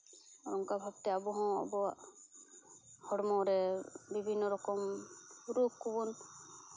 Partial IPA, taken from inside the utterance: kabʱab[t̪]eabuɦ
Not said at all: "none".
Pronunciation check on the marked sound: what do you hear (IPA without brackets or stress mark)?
t̪